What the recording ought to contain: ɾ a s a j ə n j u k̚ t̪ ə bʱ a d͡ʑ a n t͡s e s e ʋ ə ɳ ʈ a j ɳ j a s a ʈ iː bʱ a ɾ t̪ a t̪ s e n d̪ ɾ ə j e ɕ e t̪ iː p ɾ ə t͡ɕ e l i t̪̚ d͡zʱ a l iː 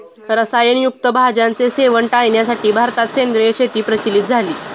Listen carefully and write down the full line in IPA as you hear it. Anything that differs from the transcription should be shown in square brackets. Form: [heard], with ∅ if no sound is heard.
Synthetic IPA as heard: ɾ [ə] s a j ə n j u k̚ t̪ ə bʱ a d͡ʑ a n t͡s e s e ʋ ə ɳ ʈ a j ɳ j a s a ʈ iː bʱ a ɾ t̪ a t̪ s e n d̪ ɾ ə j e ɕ e t̪ iː p ɾ ə t͡ɕ [i] l i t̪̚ d͡zʱ a l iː